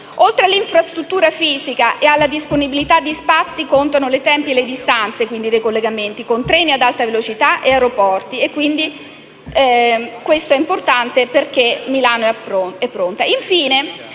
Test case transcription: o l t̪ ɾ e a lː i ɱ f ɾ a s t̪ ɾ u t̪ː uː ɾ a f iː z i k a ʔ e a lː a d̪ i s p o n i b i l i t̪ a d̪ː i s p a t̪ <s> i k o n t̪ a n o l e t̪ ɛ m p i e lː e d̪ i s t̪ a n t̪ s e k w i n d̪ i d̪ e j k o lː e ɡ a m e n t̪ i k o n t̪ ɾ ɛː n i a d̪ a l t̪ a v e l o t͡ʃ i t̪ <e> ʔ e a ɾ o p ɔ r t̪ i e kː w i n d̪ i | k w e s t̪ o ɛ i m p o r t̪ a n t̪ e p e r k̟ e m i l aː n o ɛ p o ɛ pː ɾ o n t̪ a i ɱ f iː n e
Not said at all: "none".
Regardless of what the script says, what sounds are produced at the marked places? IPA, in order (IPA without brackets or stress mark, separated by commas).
sː, a